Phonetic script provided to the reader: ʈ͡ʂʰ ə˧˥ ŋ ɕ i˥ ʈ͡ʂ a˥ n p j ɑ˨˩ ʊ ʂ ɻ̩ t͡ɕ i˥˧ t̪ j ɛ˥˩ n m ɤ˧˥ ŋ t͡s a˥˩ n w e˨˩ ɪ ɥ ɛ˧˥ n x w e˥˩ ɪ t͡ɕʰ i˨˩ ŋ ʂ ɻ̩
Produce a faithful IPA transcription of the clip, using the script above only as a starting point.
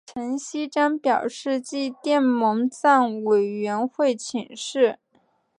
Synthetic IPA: ʈ͡ʂʰ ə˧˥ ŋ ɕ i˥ ʈ͡ʂ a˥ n p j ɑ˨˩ ʊ ʂ ɻ̩ t͡ɕ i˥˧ t̪ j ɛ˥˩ n m ɤ˧˥ ŋ t͡s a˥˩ n w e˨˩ ɪ ɥ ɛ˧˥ n x w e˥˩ ɪ t͡ɕʰ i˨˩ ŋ ʂ ɻ̩